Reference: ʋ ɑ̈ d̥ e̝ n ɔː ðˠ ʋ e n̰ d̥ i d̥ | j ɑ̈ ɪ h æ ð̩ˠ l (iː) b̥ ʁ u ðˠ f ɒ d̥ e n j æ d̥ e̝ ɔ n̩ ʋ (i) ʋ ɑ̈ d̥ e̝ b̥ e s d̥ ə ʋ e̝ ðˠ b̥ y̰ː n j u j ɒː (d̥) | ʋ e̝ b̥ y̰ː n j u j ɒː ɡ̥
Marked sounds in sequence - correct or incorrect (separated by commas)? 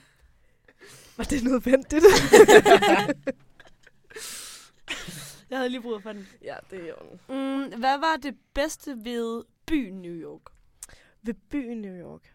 correct, incorrect, incorrect